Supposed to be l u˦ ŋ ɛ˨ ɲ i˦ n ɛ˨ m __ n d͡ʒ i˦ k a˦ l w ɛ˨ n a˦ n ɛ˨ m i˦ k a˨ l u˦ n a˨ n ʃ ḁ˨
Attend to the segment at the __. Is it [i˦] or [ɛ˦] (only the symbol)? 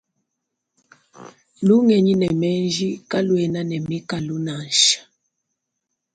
ɛ˦